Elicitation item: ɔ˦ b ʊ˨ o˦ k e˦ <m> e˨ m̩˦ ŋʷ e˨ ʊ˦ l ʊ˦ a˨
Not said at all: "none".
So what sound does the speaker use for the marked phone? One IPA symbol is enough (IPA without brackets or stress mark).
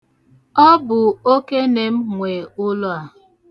n